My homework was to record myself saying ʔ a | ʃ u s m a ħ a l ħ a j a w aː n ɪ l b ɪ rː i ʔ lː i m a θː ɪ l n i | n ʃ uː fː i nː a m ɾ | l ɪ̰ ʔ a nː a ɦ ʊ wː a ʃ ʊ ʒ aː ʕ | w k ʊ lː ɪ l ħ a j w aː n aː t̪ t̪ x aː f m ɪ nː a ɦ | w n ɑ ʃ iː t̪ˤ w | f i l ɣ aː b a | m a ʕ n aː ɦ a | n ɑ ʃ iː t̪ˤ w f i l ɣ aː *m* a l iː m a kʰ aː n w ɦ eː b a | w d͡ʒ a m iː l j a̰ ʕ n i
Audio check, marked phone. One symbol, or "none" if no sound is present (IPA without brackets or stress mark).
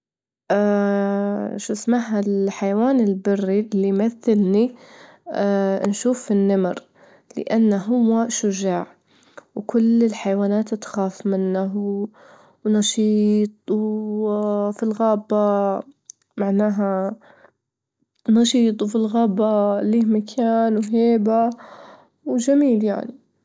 b